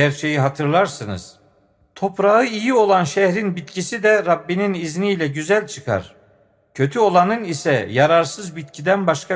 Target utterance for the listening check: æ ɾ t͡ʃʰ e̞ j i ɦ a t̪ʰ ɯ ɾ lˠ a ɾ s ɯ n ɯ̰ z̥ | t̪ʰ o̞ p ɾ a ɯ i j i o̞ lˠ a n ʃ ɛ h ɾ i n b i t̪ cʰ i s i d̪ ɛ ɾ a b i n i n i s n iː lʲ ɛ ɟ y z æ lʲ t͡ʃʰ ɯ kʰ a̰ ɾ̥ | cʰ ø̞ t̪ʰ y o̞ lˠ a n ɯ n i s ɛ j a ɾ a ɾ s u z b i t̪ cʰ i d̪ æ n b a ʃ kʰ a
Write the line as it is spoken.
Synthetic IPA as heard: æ ɾ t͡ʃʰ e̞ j i ɦ a t̪ʰ ɯ ɾ lˠ a ɾ s ɯ n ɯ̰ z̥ | t̪ʰ o̞ p ɾ a ɯ i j i o̞ lˠ a n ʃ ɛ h ɾ i n b i t̪ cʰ i s i d̪ ɛ ɾ a bː i n i n i z n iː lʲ ɛ ɟ y z æ lʲ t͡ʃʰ ɯ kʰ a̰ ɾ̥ | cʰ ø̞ t̪ʰ y o̞ lˠ a n ɯ n i s ɛ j a ɾ a ɾ s ɯ z b i t̪ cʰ i d̪ æ n b a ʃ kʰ a